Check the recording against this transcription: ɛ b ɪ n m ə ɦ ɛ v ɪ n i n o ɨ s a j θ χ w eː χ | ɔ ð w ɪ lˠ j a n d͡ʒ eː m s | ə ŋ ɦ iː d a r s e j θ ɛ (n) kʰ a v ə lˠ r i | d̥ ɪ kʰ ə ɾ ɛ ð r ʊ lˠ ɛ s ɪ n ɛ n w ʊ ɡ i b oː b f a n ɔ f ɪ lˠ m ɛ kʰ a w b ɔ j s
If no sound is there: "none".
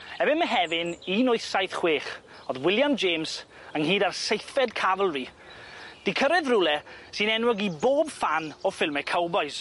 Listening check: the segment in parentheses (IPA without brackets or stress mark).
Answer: d